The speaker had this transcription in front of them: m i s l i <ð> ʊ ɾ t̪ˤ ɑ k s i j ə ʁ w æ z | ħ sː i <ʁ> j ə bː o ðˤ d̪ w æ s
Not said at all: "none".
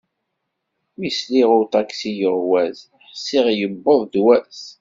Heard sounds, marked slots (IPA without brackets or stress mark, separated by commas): ʁ, ʁ